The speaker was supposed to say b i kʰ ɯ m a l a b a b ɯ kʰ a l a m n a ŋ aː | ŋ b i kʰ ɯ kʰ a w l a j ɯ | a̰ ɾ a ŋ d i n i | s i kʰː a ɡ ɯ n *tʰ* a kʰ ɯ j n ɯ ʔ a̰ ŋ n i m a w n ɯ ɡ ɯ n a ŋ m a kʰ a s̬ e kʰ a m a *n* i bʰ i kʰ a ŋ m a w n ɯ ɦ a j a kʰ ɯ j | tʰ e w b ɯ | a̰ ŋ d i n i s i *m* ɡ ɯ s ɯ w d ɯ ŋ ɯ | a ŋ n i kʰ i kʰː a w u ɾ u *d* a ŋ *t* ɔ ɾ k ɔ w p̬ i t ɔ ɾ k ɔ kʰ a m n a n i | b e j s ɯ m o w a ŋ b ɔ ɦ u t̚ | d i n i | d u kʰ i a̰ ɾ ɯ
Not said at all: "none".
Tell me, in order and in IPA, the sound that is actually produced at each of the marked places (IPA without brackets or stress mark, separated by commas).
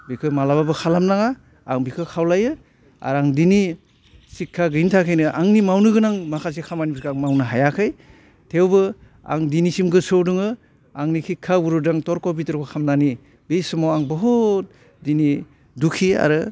tʰ, n, m, d, t